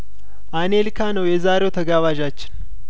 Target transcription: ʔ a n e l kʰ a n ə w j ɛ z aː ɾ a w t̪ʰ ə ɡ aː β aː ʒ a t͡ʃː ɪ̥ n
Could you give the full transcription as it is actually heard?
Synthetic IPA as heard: ʔ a n e l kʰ a n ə w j ɛ z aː ɾ e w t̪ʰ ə ɡ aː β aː ʒ a t͡ʃː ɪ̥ n